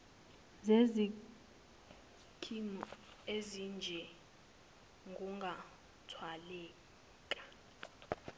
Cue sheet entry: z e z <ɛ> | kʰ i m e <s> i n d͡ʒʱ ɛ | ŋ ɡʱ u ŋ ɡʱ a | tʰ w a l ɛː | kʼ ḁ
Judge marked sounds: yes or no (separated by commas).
no, no